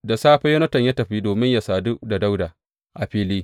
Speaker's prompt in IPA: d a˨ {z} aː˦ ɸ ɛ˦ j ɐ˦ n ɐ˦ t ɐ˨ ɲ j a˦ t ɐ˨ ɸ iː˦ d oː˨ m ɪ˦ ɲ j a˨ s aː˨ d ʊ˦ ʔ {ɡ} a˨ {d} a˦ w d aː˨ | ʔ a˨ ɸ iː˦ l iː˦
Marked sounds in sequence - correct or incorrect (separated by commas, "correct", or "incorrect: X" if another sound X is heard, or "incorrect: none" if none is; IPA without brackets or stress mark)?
incorrect: s, incorrect: d, correct